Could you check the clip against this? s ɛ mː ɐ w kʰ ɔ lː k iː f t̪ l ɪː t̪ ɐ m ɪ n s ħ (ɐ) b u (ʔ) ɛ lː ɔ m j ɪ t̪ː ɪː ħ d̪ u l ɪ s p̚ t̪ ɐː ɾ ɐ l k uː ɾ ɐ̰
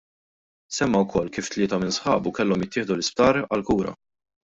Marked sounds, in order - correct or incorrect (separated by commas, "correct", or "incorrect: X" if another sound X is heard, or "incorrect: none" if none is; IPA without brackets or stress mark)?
incorrect: ɐː, incorrect: k